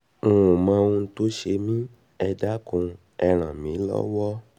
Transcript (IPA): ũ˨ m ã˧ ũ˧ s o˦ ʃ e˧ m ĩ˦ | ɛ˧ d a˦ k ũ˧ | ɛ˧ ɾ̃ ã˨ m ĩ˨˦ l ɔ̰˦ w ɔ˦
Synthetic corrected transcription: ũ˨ m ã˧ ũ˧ t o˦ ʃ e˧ m ĩ˦ | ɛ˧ d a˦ k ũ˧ | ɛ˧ ɾ̃ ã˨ m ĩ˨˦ l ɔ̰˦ w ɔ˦

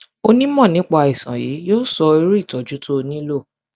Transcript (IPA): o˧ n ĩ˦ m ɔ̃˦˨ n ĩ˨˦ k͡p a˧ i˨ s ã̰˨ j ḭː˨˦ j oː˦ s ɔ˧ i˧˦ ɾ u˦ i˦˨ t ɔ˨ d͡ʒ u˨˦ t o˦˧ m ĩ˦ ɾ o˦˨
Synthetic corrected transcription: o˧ n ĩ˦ m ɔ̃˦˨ n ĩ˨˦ k͡p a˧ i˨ s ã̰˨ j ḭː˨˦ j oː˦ s ɔ˧ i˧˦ ɾ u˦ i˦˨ t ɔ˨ d͡ʒ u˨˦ t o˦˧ n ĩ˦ l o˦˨

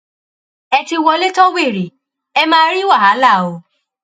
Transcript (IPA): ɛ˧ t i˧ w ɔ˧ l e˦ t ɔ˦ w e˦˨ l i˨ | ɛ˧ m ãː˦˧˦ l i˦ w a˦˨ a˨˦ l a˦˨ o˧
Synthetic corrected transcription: ɛ˧ t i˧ w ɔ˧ l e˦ t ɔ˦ w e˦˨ ɾ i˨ | ɛ˧ m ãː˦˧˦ ɾ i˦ w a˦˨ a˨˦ l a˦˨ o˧

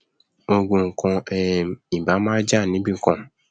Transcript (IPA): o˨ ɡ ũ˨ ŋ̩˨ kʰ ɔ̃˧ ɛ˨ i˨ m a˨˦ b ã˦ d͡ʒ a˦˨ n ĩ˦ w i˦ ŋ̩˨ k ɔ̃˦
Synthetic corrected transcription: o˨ ɡ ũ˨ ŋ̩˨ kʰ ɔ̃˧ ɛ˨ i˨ b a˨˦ m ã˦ d͡ʒ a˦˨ n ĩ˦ b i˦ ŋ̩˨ k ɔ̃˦

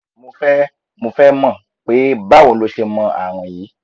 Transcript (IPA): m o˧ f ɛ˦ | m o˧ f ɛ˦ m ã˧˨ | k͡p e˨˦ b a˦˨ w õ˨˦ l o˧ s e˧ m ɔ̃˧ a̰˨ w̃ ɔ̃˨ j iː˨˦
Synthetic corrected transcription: m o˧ f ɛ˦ | m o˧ f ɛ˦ m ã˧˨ | k͡p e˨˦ b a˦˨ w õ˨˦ l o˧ ʃ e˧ m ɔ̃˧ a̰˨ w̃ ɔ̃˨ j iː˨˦

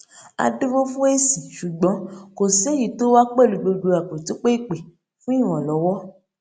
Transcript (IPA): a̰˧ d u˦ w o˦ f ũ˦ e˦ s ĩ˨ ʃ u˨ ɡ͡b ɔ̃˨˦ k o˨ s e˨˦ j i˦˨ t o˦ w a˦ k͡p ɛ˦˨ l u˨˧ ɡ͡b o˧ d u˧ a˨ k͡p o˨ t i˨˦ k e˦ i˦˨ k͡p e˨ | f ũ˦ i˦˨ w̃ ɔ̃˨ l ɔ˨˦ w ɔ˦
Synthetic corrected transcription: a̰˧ d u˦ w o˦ f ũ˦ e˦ s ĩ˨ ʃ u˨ ɡ͡b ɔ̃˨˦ k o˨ s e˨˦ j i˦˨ t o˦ w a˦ k͡p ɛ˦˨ l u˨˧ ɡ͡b o˧ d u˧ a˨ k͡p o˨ t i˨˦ k͡p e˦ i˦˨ k͡p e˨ | f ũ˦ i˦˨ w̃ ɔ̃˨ l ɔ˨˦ w ɔ˦

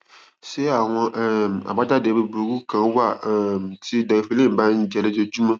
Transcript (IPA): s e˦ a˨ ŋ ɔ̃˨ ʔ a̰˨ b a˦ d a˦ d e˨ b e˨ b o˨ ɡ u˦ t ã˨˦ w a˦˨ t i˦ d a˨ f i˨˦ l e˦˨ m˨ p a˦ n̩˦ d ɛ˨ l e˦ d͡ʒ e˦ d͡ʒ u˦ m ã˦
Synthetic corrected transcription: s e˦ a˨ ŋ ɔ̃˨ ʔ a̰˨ b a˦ d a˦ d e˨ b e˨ b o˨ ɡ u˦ k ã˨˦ w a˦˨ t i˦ d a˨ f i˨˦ l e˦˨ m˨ b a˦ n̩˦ d͡ʒ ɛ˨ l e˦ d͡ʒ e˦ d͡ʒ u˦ m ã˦

